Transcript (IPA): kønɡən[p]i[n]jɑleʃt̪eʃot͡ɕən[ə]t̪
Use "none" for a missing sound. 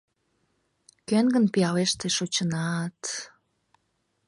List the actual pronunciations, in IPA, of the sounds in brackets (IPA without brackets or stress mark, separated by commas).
p, none, ɑ